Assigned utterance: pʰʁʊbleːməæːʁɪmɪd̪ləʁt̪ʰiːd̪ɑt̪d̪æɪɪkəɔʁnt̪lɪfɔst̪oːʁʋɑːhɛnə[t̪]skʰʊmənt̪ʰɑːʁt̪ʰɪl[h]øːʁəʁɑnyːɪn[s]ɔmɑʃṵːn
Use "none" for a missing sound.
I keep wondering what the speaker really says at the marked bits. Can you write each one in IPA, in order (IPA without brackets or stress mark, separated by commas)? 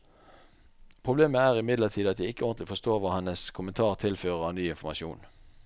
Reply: none, f, f